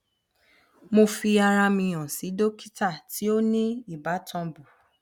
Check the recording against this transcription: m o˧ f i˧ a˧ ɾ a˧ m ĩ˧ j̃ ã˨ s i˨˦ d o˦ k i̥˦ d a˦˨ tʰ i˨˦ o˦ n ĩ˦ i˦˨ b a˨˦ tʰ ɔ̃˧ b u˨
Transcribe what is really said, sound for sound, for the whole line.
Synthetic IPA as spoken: m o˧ f i˧ a˧ ɾ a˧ m ĩ˧ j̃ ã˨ s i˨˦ d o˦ k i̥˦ t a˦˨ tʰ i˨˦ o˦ n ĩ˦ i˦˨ b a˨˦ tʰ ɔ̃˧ b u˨